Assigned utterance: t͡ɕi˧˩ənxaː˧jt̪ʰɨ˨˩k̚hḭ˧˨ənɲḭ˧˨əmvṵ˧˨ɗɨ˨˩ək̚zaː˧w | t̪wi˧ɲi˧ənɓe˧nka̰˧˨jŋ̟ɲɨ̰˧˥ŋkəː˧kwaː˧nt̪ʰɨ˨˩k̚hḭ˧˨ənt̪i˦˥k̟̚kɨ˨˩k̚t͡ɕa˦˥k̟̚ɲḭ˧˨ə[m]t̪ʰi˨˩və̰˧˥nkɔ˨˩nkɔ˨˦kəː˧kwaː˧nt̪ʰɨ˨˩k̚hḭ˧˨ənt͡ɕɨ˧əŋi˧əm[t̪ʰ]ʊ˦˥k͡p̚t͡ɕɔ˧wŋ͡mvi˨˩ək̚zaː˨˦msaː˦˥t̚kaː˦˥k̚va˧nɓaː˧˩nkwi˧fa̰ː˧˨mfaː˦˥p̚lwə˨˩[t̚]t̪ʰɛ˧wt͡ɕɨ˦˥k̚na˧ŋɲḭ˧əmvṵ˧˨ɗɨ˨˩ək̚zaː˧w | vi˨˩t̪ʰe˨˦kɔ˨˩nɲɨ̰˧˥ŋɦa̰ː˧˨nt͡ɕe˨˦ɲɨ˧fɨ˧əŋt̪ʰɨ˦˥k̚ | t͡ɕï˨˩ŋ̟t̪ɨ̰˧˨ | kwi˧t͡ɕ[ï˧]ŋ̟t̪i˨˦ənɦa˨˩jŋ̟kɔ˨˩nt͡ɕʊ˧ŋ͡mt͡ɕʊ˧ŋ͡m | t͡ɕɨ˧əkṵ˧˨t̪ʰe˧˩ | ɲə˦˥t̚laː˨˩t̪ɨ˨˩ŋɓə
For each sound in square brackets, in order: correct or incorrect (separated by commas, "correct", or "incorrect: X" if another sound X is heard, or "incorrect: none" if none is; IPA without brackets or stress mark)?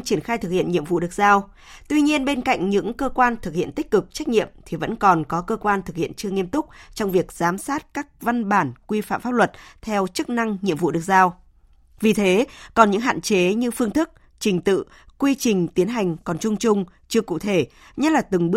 correct, incorrect: t̪, correct, incorrect: ï˨˩